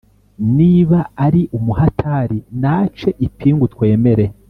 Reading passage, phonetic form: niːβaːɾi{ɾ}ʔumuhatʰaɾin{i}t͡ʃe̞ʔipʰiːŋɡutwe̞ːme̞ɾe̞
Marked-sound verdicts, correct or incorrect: incorrect: none, incorrect: a

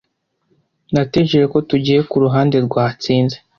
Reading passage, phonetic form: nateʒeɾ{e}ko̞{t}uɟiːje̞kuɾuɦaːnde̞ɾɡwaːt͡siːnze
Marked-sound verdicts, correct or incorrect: correct, correct

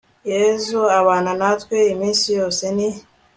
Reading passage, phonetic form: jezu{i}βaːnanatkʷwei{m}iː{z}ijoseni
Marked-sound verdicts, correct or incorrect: incorrect: a, correct, incorrect: s

